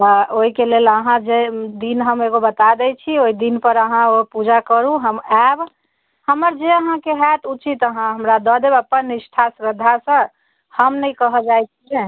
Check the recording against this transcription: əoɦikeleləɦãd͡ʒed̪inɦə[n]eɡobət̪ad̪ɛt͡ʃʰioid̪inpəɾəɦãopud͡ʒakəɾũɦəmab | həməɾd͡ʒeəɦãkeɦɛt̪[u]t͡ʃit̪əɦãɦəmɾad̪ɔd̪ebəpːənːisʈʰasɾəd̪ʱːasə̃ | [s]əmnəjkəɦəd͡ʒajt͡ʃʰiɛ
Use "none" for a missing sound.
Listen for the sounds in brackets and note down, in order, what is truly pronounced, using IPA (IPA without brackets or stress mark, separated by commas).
m, u, h